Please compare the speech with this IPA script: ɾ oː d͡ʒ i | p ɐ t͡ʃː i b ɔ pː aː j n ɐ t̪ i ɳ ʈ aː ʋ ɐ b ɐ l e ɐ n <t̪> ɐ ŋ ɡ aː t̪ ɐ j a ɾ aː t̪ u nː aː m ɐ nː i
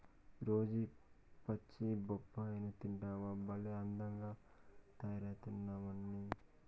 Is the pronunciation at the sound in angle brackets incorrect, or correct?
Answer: incorrect